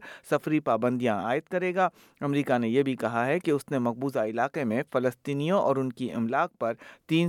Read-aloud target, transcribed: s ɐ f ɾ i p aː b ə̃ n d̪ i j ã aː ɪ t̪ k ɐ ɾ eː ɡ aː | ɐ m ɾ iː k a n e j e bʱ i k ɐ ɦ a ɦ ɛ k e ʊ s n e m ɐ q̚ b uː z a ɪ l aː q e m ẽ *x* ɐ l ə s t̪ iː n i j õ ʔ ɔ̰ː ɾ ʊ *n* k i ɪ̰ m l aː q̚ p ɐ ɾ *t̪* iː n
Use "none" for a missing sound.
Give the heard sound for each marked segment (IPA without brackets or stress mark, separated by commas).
f, n, t̪